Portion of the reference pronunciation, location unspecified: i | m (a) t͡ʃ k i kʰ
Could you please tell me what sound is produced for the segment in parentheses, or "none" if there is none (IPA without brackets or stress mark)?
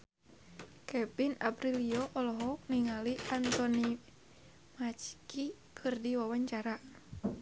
a